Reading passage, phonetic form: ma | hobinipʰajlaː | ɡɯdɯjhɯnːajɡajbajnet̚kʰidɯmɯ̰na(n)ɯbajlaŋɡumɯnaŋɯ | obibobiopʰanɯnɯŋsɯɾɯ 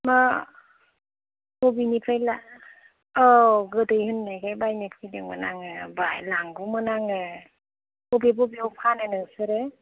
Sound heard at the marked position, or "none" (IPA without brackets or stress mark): ŋ